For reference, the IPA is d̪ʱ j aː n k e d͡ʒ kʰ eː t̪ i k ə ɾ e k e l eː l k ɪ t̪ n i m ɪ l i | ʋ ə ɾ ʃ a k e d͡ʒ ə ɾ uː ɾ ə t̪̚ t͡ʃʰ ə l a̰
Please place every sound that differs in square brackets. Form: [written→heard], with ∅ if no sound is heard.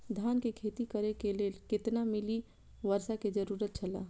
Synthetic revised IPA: d̪ʱ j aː n k e [d͡ʒ→∅] kʰ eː t̪ i k ə ɾ e k e l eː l k ɪ t̪ n [i→a] m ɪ l i | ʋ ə ɾ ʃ a k e d͡ʒ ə ɾ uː ɾ ə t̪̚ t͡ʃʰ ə l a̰